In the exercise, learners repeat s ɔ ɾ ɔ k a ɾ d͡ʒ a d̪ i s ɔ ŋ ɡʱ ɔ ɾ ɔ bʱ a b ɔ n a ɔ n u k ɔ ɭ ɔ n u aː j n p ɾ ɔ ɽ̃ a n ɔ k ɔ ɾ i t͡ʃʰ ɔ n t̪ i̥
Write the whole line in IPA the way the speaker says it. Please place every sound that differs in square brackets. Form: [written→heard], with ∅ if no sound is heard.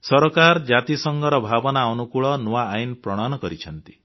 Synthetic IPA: s ɔ ɾ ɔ k a ɾ d͡ʒ a [d̪→t̪] i s ɔ ŋ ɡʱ ɔ ɾ ɔ bʱ a b ɔ n a ɔ n u k [ɔ→u] ɭ ɔ n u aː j n p ɾ ɔ ɽ̃ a n ɔ k ɔ ɾ i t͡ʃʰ ɔ n t̪ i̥